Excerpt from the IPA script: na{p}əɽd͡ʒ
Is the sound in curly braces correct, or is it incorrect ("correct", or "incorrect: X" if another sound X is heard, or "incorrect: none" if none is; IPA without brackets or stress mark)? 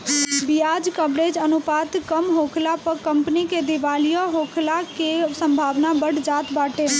incorrect: b